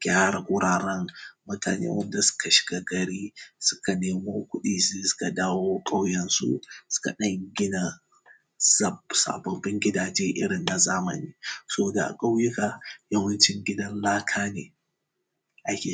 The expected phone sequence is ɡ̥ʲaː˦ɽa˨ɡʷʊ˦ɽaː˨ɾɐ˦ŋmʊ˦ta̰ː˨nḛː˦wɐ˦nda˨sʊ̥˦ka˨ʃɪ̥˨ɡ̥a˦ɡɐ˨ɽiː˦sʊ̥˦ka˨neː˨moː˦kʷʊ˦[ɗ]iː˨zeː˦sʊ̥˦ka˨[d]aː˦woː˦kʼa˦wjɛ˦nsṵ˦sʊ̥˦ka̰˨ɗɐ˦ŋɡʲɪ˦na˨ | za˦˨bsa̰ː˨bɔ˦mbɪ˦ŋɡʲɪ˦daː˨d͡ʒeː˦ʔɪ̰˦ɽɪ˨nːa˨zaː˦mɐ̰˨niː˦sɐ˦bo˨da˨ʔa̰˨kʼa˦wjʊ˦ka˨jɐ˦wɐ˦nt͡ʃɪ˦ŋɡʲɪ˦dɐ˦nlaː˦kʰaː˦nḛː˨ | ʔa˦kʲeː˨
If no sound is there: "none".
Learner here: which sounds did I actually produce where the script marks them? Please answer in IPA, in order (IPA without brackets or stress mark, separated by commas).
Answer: ɗ, d